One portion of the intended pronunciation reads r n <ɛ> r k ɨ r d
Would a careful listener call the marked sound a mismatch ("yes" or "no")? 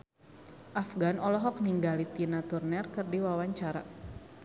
no